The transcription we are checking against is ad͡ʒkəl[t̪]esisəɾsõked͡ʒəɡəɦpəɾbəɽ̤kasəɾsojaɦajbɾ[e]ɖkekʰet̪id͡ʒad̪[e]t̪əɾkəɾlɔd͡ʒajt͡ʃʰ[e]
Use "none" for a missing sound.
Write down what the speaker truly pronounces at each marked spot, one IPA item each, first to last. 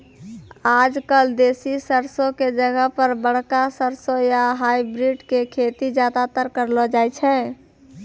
d̪, i, a, ɛ

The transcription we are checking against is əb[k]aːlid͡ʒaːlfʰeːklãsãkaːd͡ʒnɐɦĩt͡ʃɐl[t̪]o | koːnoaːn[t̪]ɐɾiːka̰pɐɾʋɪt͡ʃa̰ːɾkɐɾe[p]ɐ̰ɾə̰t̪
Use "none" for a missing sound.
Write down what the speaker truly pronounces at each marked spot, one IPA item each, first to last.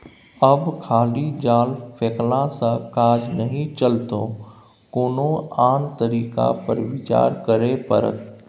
kʰ, t̪, t̪, p

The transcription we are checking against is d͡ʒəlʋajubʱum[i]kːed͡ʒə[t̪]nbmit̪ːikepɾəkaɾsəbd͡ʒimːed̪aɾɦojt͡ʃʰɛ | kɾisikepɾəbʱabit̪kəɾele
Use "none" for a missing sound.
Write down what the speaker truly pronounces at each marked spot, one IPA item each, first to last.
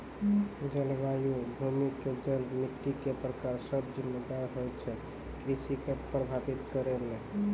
i, none

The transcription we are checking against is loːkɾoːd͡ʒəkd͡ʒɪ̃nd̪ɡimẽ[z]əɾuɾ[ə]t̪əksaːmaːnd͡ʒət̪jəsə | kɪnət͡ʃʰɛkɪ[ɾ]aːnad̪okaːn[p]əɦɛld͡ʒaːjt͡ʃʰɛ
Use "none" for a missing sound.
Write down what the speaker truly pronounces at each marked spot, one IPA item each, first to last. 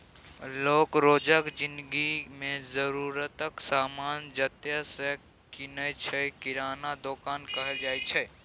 z, ə, ɾ, k

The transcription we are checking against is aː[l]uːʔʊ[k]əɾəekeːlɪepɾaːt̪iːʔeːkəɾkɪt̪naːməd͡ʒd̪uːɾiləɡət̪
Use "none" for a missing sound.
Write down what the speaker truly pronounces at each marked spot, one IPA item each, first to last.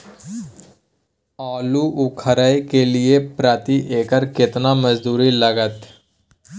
l, kʰ

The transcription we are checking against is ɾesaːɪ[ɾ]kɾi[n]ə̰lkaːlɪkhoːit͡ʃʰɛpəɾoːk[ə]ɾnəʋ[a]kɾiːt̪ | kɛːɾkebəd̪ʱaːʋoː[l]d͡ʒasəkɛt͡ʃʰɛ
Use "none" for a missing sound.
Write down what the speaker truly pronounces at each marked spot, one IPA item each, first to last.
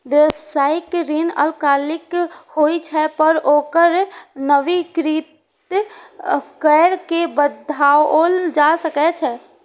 none, n, ə, i, l

